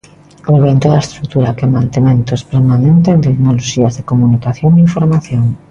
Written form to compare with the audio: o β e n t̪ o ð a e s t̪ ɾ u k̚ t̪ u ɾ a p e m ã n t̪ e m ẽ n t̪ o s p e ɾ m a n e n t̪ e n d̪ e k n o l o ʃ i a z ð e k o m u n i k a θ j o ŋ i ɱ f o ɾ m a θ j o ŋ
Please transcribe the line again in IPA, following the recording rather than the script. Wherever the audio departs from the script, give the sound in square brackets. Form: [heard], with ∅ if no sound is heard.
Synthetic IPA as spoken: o β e n t̪ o ð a e s t̪ ɾ u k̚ t̪ u ɾ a [k] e m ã n t̪ e m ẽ n t̪ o s p e ɾ m a n e n t̪ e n [t̪] e k n o l o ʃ i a z ð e k o m u n i k a θ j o ŋ i ɱ f o ɾ m a θ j o ŋ